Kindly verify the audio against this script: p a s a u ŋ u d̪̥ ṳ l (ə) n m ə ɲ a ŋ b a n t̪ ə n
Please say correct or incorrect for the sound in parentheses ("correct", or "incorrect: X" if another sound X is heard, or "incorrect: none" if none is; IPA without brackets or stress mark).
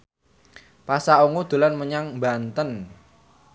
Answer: incorrect: a